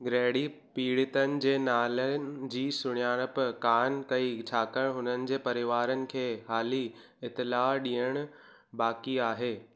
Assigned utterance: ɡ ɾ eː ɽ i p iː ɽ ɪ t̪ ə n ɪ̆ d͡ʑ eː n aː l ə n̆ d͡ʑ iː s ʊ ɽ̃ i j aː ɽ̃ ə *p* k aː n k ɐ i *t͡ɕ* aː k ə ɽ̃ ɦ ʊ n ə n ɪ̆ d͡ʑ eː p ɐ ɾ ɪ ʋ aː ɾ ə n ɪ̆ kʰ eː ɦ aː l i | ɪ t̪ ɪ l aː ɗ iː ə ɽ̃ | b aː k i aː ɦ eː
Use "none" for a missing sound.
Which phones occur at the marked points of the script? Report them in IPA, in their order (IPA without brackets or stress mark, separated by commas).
p, t͡ɕʰ